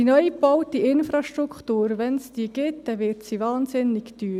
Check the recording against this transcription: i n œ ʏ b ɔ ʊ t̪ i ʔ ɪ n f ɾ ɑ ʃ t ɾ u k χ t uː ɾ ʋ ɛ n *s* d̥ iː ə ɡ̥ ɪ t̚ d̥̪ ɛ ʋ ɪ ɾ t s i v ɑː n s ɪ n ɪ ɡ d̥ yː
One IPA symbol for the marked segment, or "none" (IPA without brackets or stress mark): s